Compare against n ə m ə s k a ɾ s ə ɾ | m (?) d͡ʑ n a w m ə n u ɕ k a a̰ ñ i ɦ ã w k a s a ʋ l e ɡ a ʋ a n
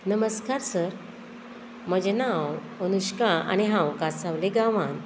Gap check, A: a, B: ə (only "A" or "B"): B